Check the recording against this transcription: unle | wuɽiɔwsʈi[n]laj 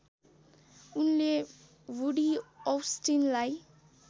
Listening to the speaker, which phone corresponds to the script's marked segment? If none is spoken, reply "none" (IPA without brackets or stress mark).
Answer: n